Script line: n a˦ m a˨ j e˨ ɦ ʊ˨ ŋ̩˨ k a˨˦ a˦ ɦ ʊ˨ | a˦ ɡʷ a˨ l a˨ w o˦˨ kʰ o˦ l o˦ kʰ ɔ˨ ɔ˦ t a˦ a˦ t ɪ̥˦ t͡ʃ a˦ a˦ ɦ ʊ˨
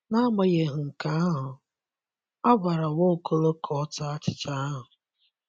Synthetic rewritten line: n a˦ m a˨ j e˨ ɦ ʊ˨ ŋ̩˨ k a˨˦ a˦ ɦ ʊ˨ | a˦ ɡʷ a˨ ɾ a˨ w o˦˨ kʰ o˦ l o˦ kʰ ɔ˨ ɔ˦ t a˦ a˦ t͡ʃ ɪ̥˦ t͡ʃ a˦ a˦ ɦ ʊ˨